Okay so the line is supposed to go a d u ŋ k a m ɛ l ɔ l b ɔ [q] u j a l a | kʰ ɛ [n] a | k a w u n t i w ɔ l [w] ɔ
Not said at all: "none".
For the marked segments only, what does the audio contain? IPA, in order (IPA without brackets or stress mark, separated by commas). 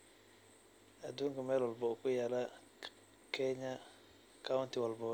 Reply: k, ɲ, b